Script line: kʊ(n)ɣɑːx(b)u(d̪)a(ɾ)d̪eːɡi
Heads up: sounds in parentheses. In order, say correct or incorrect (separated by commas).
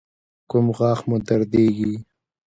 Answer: incorrect, incorrect, correct, correct